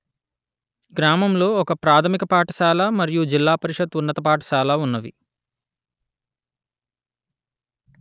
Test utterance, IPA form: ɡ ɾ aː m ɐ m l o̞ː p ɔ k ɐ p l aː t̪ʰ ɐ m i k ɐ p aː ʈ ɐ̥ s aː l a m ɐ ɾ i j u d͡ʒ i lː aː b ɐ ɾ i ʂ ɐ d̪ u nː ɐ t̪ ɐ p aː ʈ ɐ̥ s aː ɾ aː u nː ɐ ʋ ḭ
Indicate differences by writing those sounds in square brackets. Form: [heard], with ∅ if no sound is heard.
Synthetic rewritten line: ɡ ɾ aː m ɐ m l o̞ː [∅] ɔ k ɐ p [ɾ] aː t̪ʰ ɐ m i k ɐ p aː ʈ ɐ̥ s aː l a m ɐ ɾ i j u d͡ʒ i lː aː [p] ɐ ɾ i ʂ ɐ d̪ u nː ɐ t̪ ɐ p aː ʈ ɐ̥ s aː [l] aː u nː ɐ ʋ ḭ